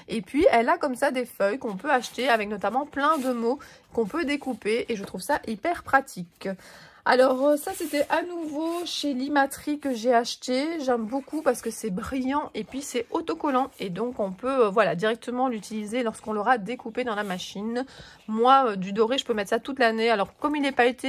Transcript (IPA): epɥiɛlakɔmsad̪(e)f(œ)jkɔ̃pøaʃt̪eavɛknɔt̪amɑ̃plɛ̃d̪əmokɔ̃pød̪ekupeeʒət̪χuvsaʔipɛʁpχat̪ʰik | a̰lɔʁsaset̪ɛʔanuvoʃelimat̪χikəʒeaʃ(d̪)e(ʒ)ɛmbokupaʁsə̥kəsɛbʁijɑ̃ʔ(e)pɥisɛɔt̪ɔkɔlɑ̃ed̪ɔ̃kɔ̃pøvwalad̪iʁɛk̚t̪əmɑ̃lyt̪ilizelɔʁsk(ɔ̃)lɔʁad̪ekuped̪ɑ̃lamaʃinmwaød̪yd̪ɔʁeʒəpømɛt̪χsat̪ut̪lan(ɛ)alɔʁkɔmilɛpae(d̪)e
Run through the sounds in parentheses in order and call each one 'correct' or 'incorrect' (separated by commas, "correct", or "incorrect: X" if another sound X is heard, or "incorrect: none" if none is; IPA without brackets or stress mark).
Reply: correct, correct, incorrect: t̪, correct, correct, correct, incorrect: e, incorrect: t̪